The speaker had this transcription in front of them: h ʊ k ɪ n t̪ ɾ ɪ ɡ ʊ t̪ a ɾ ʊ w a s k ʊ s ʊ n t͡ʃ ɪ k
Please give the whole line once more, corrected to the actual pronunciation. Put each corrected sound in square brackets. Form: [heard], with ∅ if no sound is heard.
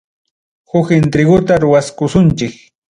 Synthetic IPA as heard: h ʊ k ɪ n t̪ ɾ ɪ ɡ ʊ t̪ a ɾ ʊ w a s k ʊ s ʊ n t͡ʃ ɪ k